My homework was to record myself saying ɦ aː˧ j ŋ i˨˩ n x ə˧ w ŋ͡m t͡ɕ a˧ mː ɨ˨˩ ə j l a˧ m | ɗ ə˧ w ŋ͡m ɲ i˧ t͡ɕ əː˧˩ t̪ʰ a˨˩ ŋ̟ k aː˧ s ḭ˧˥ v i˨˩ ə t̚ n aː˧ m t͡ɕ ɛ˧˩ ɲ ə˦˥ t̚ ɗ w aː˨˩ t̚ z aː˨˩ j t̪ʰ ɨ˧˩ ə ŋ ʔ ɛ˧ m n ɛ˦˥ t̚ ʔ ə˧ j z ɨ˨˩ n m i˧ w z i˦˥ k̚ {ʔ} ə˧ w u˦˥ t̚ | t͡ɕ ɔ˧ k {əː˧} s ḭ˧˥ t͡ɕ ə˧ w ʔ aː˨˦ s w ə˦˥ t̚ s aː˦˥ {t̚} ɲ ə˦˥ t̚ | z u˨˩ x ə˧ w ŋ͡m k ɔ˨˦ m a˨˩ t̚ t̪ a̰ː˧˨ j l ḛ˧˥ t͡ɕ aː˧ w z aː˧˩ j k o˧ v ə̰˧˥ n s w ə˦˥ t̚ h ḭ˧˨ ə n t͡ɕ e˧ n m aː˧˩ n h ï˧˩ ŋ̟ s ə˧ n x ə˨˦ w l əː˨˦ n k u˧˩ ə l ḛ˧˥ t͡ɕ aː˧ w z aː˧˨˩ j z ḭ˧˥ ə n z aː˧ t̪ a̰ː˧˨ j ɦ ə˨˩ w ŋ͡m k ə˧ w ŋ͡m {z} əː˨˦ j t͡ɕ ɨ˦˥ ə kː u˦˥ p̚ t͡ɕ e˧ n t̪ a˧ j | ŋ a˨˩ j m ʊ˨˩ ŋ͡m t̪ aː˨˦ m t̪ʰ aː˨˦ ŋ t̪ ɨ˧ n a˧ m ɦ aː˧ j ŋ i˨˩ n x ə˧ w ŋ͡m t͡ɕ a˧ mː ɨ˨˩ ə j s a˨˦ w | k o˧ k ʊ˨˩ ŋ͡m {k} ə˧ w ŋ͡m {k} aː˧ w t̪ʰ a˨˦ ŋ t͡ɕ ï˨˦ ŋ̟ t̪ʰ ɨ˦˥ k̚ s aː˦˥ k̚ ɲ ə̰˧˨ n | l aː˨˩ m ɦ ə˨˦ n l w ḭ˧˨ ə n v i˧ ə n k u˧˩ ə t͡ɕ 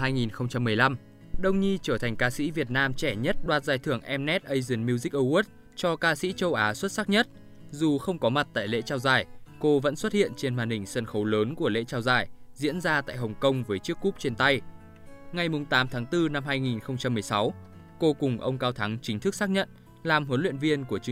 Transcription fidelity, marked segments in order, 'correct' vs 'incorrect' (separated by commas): correct, incorrect, incorrect, incorrect, incorrect, correct